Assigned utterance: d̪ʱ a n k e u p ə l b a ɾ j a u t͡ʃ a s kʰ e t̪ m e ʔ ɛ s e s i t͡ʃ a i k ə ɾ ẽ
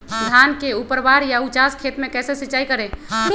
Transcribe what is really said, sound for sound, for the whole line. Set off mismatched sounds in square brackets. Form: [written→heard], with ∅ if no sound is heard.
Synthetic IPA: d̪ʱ a n k e u p ə [l→ɾ] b a ɾ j a u t͡ʃ a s kʰ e t̪ m e [ʔ→k] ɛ s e s i t͡ʃ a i k ə ɾ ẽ